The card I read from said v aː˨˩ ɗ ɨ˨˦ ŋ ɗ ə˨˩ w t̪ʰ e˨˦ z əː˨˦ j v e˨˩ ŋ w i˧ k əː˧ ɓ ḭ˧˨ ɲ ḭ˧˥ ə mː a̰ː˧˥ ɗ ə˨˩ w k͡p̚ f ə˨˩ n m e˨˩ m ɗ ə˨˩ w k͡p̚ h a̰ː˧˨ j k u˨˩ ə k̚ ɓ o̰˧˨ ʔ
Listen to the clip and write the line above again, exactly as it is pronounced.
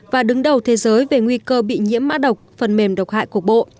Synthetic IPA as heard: v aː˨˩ ɗ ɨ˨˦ ŋ ɗ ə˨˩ w t̪ʰ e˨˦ z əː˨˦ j v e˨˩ ŋ w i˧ k əː˧ ɓ ḭ˧˨ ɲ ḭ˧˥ ə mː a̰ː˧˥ ɗ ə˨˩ w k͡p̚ f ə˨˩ n m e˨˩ m ɗ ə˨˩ w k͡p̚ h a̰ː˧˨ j k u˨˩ ə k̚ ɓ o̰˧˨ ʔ